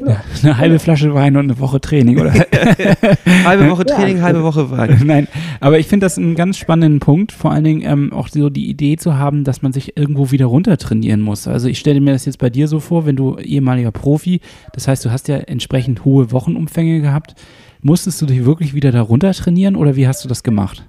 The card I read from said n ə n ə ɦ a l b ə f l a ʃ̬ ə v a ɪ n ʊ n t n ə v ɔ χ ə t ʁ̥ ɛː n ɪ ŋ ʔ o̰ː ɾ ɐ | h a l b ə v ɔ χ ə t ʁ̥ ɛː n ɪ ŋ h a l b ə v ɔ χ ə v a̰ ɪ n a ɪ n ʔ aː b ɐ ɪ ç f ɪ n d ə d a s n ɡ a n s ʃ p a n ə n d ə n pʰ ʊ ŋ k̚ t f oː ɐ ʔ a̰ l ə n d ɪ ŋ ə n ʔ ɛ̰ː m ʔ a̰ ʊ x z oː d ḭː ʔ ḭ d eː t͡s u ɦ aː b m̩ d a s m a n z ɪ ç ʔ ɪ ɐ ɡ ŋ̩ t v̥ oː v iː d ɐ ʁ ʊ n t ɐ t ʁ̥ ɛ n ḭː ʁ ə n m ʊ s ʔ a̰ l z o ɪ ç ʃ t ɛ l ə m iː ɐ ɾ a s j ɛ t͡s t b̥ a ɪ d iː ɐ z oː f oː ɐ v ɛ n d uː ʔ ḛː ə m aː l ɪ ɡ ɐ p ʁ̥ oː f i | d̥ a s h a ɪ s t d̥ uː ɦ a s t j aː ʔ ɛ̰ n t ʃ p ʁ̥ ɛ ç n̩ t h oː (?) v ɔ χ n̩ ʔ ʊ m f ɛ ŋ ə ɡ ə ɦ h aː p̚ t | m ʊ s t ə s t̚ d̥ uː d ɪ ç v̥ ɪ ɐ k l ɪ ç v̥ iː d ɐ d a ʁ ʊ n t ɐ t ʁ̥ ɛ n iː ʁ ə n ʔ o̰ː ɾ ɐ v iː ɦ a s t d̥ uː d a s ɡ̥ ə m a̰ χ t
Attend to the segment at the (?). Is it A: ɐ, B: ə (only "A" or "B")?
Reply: B